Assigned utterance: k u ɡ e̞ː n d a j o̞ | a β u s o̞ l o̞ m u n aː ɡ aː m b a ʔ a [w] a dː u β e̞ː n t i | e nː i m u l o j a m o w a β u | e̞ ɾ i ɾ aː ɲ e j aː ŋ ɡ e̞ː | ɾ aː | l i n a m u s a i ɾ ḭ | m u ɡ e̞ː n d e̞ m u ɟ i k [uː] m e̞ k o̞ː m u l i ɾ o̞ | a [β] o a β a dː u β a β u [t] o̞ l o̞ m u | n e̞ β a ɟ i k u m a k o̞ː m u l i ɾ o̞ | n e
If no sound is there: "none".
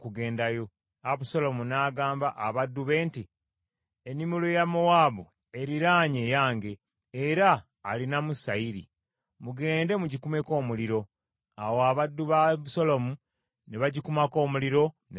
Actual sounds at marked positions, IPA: β, u, w, s

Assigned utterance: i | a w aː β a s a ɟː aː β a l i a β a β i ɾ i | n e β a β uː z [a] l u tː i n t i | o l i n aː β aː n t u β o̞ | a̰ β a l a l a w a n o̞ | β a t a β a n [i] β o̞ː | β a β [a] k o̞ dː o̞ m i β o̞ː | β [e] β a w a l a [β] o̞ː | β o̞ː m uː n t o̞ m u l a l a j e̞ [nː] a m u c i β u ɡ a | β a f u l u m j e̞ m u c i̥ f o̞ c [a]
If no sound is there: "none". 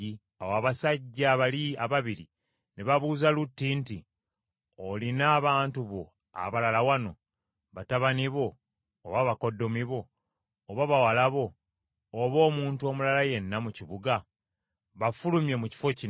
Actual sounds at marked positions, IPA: a, i, a, a, β, nː, i

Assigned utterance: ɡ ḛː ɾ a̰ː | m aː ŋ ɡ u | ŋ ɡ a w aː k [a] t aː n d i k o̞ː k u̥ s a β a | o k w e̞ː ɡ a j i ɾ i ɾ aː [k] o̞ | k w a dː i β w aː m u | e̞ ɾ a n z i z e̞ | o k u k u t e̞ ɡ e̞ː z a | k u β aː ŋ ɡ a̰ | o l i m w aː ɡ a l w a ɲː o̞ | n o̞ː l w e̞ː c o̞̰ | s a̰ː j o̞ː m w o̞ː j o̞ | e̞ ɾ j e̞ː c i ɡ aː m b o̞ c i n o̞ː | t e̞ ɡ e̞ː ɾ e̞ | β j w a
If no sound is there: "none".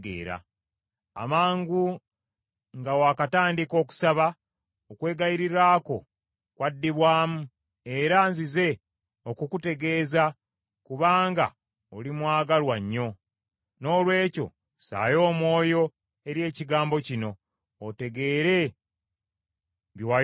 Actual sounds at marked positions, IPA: a, k

